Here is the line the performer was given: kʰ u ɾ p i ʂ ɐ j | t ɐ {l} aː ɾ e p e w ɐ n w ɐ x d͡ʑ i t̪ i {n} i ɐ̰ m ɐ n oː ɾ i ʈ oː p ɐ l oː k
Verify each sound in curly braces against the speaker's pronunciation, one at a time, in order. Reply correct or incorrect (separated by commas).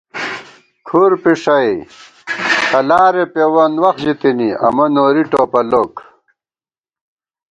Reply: correct, correct